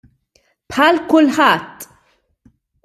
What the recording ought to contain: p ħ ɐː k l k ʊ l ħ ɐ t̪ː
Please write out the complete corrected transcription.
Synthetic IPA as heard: p ħ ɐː l k ʊ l ħ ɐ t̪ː